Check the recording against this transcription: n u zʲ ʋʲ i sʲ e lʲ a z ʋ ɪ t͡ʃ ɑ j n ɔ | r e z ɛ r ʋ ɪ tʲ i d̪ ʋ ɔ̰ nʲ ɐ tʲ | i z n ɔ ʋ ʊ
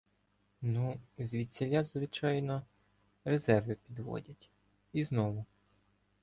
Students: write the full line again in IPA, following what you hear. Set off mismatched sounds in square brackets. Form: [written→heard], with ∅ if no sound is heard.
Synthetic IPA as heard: n u zʲ ʋʲ i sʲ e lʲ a z ʋ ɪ t͡ʃ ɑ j n ɔ | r e z ɛ r ʋ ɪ [tʲ→pʲ] i d̪ ʋ ɔ̰ [nʲ→dʲ] ɐ tʲ | i z n ɔ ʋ ʊ